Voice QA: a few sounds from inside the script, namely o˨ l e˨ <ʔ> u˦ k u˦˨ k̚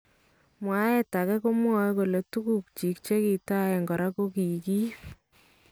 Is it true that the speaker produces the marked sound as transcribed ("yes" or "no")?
no